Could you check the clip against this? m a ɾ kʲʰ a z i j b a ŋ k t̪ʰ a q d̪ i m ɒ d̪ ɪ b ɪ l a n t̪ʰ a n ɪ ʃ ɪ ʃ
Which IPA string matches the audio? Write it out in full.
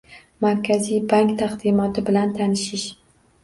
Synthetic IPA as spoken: m a ɾ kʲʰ a z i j b a ŋ k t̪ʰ a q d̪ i m ɒ t̪ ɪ b ɪ l a n t̪ʰ a n ɪ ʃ ɪ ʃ